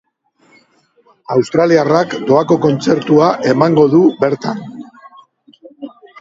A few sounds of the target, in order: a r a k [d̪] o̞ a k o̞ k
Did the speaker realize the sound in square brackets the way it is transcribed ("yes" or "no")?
yes